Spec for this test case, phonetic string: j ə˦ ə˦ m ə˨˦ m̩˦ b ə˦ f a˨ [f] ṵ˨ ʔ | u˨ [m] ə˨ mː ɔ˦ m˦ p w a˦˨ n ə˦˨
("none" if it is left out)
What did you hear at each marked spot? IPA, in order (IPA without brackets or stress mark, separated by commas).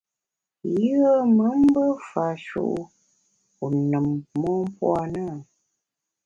ʃ, n